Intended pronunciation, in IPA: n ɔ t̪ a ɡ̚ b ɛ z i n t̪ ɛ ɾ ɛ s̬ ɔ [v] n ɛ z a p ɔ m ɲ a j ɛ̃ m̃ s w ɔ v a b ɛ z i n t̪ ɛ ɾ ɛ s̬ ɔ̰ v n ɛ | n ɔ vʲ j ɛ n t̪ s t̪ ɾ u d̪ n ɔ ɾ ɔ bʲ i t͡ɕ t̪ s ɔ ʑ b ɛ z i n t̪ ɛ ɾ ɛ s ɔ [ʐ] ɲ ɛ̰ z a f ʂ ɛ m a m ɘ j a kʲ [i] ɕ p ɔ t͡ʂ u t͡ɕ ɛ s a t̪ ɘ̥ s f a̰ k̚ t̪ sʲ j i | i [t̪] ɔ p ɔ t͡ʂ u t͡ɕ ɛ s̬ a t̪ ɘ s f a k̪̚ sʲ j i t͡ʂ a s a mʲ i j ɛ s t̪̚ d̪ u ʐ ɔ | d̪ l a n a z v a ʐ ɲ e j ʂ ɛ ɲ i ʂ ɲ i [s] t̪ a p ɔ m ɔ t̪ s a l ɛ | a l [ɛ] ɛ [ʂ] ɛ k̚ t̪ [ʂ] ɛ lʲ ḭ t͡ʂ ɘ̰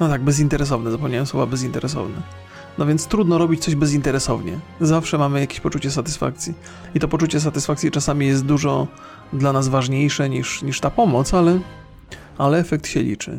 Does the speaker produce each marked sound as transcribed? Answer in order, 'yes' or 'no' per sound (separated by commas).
yes, no, no, yes, no, yes, no, no